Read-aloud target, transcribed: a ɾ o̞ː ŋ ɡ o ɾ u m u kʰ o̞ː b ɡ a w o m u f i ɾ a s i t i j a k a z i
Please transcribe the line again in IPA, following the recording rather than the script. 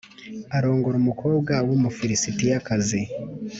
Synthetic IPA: a ɾ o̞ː ŋ ɡ o ɾ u m u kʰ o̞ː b ɡ a w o m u f i ɾ i s i t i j a k a z i